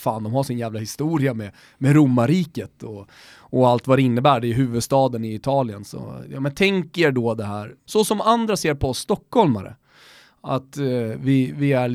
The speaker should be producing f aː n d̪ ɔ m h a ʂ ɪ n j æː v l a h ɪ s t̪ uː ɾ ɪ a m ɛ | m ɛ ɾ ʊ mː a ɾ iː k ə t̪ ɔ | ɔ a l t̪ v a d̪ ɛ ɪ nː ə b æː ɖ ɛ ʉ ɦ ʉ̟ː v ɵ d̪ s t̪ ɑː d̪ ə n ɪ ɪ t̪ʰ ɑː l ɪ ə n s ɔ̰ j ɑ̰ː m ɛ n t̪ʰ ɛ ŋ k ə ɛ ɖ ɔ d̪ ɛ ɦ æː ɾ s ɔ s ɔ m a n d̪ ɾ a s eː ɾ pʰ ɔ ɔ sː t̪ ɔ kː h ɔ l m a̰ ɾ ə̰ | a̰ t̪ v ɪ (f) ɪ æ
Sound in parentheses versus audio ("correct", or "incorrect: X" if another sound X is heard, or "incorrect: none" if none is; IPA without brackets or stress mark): incorrect: v